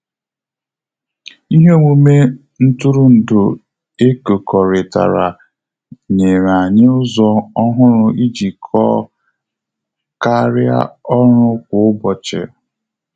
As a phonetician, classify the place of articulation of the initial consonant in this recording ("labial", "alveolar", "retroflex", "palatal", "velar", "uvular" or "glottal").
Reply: glottal